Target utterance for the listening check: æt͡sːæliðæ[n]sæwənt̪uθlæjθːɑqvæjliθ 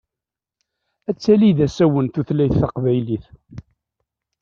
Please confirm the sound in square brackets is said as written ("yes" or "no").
no